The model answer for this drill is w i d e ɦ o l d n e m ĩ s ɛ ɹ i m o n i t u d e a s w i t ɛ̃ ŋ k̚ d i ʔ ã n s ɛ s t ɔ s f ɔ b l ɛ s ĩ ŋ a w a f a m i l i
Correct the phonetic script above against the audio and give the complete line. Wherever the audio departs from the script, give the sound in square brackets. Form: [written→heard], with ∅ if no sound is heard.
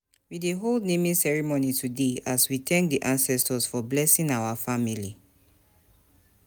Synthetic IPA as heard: w i d e ɦ o l d n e m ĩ s ɛ ɹ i m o n i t u d e a s w i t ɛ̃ ŋ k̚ d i ʔ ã n s ɛ s t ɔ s f ɔ b l ɛ s ĩ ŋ a w a f a m i l i